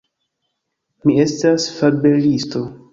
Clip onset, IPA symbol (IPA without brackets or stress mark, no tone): m